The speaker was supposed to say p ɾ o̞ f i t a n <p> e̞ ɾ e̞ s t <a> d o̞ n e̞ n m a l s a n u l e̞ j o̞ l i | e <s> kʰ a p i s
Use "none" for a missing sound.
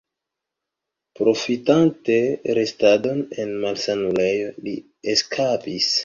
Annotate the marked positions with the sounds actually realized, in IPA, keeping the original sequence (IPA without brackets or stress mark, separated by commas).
t, a, s